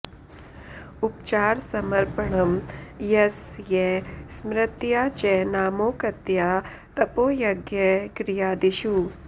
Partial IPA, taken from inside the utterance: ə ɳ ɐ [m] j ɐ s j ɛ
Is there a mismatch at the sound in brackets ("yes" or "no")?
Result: no